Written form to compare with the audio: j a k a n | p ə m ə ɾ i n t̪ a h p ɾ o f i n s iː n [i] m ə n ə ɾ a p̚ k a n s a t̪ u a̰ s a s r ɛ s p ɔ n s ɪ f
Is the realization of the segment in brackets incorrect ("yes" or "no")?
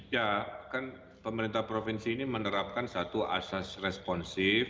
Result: no